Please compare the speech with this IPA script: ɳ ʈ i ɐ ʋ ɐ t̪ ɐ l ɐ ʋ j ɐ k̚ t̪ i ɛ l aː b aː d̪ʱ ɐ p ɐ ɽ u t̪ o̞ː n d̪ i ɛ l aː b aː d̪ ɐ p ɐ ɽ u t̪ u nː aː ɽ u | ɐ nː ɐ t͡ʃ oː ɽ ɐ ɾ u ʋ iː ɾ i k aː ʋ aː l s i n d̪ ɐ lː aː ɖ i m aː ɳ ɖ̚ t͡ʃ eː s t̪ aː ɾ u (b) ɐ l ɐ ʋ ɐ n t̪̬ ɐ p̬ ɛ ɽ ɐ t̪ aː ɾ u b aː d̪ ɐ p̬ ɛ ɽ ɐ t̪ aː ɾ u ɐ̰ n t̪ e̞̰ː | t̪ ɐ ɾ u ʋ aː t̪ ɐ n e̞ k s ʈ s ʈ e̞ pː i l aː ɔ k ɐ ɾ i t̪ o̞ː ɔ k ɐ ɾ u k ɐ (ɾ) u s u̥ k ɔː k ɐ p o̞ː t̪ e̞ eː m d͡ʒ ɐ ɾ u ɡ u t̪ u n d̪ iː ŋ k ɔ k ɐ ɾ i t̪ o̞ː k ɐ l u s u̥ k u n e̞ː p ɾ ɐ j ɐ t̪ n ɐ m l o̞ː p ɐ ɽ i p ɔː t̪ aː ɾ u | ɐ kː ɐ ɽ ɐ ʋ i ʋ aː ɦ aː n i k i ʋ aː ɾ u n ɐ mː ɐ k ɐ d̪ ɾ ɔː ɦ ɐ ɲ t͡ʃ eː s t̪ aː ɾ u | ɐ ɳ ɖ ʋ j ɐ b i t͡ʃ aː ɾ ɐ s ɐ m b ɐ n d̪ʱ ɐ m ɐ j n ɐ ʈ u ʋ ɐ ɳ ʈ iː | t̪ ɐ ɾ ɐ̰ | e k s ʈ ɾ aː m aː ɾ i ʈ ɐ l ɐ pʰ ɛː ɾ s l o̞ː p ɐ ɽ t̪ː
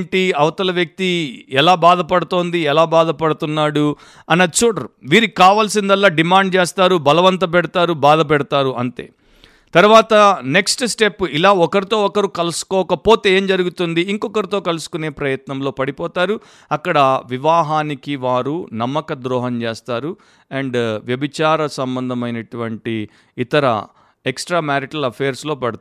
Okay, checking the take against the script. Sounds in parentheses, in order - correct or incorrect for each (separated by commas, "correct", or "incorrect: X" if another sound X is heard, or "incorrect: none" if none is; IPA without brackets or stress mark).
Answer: correct, incorrect: l